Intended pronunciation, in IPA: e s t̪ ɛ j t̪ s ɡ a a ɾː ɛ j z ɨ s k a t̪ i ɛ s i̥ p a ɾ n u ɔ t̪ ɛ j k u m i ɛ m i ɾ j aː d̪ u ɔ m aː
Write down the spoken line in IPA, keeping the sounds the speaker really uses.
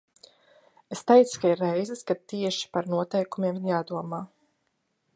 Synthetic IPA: e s t̪ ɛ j t̪ s k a i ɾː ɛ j z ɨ s k a t̪ i ɛ ʃ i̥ p a ɾ n u ɔ t̪ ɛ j k u m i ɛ m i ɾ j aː d̪ u ɔ m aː

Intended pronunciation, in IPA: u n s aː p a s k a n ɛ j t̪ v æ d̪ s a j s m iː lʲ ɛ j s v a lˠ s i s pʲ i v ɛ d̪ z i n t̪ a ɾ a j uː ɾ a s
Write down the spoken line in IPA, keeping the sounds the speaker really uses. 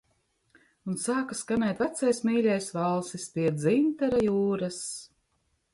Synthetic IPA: u n s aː k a s k a n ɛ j t̪ v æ t̪ s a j s m iː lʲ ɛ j s v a lˠ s i s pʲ i ɛ d̪ z i n t̪ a ɾ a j uː ɾ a s

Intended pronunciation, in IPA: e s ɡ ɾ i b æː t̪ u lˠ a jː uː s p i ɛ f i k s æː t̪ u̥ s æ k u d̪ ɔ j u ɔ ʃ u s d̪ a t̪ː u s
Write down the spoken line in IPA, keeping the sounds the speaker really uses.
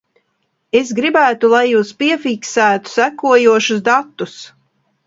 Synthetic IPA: e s ɡ ɾ i b æː t̪ u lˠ a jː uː s p i ɛ f i k s æː t̪ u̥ s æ k u ɔ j u ɔ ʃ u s d̪ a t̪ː u s

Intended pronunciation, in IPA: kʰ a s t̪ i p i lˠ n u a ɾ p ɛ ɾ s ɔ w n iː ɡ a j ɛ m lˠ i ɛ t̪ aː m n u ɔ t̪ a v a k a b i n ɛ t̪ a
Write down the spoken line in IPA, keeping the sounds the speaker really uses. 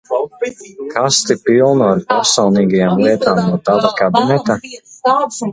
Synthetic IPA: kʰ a s t̪ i p i lˠ n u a ɾ p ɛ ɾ s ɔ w n iː ɡ a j a m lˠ i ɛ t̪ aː m n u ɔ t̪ a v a k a b i n ɛ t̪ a

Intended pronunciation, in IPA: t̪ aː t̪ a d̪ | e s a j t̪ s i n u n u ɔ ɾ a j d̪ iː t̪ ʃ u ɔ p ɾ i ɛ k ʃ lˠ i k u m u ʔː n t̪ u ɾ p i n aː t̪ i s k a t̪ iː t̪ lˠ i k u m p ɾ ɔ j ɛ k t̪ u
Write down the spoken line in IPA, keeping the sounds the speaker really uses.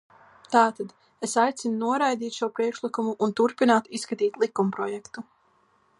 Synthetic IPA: t̪ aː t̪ a d̪ | e s a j t̪ s i n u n u ɔ ɾ a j d̪ iː t̪ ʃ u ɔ p ɾ i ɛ k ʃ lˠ i k u m u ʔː n t̪ u ɾ p i n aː t̪ i s k a t̪ iː t̪ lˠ i k u m p ɾ ɔ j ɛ k t̪ u

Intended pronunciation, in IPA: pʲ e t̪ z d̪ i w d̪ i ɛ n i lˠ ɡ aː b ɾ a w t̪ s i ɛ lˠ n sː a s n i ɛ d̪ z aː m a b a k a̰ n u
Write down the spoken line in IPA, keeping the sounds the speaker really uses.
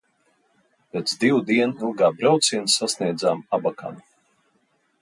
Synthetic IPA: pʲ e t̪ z d̪ i w d̪ i ɛ n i lˠ ɡ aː b ɾ a w t̪ s i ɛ n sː a s n i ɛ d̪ z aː m a b a k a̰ n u

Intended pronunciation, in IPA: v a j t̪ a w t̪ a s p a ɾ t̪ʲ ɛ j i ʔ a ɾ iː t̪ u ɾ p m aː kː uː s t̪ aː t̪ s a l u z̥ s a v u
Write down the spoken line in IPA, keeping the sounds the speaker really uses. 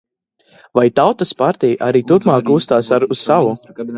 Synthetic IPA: v a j t̪ a w t̪ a s p a ɾ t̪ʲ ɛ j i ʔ a ɾ iː t̪ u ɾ p m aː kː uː s t̪ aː s a ɾ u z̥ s a v u

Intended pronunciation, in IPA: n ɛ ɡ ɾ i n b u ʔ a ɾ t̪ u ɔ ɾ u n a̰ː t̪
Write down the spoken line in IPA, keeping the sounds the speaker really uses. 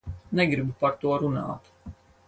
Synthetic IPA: n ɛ ɡ ɾ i b u p a ɾ t̪ u ɔ ɾ u n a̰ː t̪

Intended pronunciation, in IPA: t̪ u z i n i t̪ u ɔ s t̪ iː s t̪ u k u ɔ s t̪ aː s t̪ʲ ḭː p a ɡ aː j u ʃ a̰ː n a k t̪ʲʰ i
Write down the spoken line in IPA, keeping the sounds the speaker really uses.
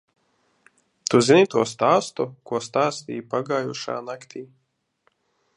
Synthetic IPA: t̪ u z i n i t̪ u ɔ s t̪ aː s t̪ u k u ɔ s t̪ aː s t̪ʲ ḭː p a ɡ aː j u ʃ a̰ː n a k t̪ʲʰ iː

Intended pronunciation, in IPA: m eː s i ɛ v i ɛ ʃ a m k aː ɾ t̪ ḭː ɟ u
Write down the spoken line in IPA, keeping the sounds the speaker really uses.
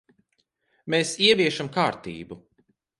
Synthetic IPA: m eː s i ɛ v i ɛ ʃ a m k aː ɾ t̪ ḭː b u

